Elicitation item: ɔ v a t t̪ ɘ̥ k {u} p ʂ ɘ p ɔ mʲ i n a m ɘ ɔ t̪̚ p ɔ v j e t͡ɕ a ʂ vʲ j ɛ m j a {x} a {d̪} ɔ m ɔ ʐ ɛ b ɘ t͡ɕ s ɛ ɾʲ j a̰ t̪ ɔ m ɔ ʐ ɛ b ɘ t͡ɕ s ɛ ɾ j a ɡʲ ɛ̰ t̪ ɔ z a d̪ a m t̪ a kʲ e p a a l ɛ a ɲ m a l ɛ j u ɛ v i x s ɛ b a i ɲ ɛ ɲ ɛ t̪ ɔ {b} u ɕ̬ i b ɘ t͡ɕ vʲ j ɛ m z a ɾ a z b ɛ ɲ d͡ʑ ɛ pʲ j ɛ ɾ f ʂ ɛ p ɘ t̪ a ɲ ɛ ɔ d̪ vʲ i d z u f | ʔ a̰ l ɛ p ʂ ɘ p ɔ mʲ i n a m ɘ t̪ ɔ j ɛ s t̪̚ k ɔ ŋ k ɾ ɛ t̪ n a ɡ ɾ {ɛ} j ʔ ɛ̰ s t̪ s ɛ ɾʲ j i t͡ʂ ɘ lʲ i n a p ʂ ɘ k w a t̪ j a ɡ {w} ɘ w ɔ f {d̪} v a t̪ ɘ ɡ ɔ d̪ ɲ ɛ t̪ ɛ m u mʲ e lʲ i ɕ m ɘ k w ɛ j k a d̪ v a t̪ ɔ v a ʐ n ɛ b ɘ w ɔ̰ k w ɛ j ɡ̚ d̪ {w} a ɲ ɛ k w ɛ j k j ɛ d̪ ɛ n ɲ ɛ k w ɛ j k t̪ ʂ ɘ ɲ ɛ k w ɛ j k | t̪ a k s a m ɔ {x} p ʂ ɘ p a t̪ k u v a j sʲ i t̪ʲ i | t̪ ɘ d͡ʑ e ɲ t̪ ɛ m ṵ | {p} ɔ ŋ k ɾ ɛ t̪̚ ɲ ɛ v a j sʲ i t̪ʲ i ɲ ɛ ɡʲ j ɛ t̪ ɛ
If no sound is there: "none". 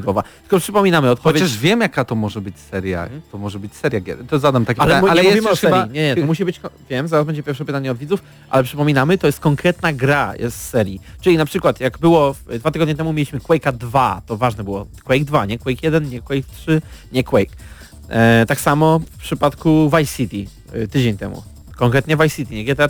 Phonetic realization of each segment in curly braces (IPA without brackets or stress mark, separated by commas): ɔ, k, t̪, m, a, b, d̪, v, f, k